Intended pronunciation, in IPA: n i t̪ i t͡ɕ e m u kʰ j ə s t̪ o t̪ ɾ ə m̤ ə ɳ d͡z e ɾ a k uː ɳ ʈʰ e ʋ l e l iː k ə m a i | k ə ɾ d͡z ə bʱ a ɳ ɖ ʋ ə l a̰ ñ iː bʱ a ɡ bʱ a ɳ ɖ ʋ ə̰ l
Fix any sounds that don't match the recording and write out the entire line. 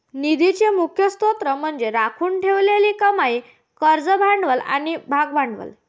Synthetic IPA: n i d̪ i t͡ɕ e m u kʰ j ə s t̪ o t̪ ɾ ə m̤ ə ɳ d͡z e ɾ a kʰ uː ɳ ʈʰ e ʋ l e l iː k ə m a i | k ə ɾ d͡z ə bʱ a ɳ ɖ ʋ ə l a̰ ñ i bʱ a ɡ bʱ a ɳ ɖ ʋ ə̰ l